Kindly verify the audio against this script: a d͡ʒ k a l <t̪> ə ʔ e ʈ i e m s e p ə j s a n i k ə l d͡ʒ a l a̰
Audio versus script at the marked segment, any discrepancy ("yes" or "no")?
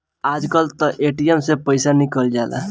no